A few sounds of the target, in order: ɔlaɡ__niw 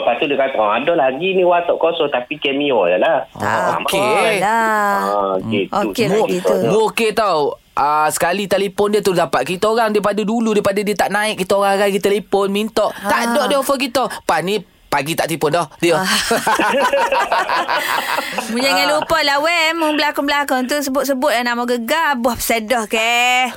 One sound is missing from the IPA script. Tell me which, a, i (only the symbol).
i